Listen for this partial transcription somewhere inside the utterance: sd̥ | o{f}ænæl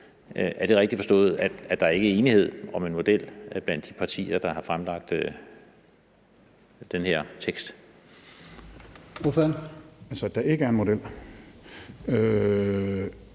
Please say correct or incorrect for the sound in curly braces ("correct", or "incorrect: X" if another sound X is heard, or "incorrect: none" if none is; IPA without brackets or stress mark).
correct